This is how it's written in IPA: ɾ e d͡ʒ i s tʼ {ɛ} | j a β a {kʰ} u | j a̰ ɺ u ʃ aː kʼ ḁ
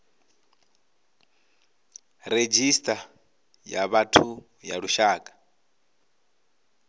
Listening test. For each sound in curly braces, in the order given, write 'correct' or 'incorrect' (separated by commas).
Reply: incorrect, incorrect